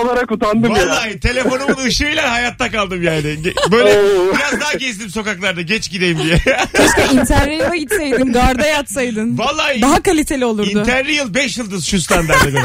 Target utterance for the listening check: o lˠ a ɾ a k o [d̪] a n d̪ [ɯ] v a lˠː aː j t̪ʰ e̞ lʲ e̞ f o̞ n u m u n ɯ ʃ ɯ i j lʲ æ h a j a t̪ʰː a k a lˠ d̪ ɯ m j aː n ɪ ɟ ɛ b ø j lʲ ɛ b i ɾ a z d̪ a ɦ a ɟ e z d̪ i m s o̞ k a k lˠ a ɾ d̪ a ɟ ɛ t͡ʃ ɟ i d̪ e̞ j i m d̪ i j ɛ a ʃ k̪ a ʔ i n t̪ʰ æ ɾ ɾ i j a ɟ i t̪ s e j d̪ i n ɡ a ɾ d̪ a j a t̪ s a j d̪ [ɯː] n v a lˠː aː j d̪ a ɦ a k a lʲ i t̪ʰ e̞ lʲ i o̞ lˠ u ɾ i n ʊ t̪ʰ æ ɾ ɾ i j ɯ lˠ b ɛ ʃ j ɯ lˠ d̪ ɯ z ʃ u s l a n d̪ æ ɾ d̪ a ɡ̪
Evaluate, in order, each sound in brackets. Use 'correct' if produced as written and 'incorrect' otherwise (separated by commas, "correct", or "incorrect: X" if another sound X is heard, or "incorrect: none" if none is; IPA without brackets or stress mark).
incorrect: t̪, correct, incorrect: ɯ